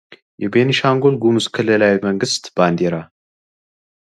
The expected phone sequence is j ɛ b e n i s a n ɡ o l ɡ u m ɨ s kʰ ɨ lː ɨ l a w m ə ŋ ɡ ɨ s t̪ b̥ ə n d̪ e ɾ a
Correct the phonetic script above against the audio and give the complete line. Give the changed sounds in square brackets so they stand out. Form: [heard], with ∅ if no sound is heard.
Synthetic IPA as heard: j ɛ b e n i [ʃ] a [ŋ] ɡ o l ɡ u m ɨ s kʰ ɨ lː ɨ l a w m ə ŋ ɡ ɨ s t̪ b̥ [a] n d̪ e ɾ a